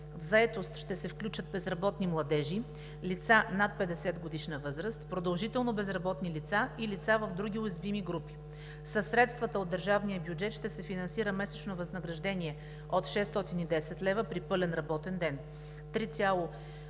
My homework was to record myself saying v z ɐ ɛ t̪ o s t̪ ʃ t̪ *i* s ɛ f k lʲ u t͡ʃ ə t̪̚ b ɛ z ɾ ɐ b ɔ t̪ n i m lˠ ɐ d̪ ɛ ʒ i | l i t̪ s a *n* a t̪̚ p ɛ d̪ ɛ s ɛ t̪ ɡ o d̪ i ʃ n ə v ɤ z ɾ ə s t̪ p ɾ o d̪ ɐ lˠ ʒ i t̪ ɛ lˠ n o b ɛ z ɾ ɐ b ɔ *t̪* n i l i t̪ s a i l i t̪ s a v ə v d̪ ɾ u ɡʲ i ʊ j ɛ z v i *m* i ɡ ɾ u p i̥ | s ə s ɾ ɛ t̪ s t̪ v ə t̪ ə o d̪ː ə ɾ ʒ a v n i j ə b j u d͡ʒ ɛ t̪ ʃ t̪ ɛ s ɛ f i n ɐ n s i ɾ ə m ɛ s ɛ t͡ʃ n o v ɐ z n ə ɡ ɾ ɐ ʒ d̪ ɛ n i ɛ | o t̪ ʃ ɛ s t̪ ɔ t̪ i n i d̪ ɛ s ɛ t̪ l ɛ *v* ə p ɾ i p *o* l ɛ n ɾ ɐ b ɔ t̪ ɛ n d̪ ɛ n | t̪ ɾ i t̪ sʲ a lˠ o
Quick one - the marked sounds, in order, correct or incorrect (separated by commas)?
incorrect, correct, correct, correct, correct, incorrect